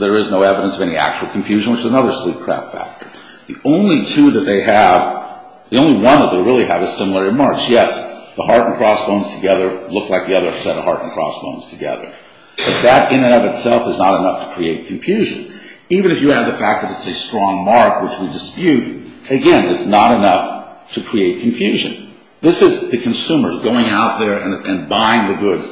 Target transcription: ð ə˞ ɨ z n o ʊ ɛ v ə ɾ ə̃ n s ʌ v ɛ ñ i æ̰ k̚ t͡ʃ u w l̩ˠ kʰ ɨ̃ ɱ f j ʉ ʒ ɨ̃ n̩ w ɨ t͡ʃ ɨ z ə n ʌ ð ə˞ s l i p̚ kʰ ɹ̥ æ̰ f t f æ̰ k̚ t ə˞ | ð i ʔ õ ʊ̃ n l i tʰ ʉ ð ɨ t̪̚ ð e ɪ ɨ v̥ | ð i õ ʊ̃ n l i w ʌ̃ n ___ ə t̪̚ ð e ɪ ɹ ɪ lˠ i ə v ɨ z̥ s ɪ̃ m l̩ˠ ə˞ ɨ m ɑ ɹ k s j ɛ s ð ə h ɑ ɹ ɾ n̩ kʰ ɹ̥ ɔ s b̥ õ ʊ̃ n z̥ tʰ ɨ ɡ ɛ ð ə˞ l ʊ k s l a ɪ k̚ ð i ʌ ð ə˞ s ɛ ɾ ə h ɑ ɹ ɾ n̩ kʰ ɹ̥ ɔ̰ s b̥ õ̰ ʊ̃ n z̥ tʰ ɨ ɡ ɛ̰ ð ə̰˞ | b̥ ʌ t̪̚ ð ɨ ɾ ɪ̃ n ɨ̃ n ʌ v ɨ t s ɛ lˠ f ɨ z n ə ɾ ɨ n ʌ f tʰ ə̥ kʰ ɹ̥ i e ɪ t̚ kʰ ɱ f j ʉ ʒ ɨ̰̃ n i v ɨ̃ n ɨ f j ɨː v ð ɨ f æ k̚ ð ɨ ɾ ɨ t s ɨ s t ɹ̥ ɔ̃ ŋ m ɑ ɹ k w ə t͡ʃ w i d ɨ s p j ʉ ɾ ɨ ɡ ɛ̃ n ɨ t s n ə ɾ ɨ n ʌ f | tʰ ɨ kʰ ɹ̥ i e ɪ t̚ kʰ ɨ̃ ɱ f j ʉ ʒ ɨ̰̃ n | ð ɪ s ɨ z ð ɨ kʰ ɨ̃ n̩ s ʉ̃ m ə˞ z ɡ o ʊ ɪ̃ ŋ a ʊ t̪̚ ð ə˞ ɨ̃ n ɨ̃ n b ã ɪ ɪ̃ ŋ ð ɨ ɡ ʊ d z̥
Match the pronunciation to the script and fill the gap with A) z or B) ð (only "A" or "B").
B